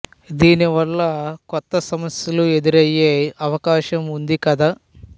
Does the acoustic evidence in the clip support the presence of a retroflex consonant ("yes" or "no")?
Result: no